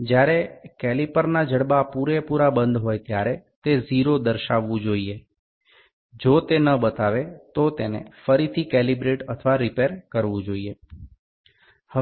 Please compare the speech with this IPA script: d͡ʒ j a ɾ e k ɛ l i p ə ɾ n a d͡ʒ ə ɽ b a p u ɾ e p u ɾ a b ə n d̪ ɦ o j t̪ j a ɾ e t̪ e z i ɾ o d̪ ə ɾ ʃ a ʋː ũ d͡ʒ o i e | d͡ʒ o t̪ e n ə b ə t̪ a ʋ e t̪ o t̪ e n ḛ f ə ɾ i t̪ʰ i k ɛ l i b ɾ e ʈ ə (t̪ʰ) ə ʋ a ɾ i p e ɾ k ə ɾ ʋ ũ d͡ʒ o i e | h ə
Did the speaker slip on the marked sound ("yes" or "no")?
no